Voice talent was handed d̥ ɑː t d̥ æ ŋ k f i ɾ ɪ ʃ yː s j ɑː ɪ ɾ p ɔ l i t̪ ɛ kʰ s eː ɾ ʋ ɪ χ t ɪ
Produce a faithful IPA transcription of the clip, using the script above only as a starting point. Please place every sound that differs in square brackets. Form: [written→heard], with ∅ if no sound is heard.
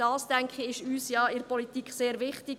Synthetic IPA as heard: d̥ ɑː [t→s] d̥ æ ŋ k [f→χ] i [ɾ→∅] ɪ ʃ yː s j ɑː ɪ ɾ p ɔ l i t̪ [ɛ→i] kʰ s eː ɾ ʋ ɪ χ t ɪ